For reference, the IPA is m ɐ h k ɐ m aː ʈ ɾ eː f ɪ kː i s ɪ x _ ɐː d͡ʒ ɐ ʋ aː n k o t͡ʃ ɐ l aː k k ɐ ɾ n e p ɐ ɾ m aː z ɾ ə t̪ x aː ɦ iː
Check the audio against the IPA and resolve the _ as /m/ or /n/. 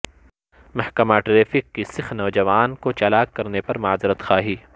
n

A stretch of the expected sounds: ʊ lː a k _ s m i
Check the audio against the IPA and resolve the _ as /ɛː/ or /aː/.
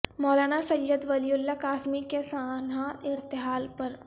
aː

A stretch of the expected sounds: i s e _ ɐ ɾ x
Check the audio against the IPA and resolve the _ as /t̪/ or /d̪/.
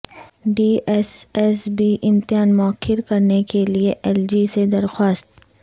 d̪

